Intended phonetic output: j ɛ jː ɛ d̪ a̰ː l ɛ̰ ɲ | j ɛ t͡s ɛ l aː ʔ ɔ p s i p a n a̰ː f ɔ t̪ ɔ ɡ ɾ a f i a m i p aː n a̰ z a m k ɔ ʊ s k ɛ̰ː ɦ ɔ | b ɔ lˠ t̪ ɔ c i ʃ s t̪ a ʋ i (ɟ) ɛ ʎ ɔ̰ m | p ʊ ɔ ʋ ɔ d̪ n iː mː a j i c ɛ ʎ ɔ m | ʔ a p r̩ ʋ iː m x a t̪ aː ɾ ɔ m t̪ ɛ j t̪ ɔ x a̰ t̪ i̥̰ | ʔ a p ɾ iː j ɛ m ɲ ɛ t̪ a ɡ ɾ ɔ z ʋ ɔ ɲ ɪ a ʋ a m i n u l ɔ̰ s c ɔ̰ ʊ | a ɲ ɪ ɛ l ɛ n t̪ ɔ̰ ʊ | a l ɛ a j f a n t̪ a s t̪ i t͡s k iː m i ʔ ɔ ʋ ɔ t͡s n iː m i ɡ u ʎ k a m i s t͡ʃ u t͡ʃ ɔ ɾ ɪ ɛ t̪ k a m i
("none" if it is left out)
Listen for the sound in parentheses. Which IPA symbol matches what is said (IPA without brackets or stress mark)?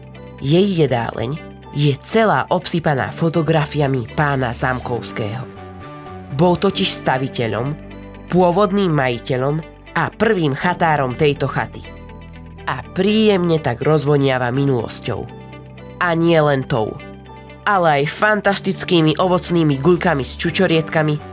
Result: c